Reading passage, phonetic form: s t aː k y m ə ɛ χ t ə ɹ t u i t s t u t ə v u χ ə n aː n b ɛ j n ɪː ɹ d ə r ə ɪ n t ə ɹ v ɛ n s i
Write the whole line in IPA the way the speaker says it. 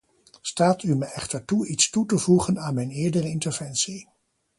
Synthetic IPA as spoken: s t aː t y m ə ɛ χ t ə ɹ t u i t s t u t ə v u χ ə n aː n m ɛ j n ɪː ɹ d ə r ə ɪ n t ə ɹ v ɛ n s i